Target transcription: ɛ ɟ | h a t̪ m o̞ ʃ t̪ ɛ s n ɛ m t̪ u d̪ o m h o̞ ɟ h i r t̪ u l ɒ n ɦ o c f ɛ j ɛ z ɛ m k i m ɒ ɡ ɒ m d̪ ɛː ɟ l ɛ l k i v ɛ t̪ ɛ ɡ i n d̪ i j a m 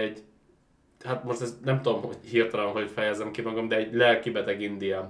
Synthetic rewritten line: ɛ ɟ | h a t̪ m o̞ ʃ t̪ ɛ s n ɛ m t̪ u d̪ o m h o̞ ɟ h i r t̪ ɒ l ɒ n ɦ o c f ɛ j ɛ z ɛ m k i m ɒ ɡ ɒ m d̪ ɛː ɟ l ɛ l k i b ɛ t̪ ɛ ɡ i n d̪ i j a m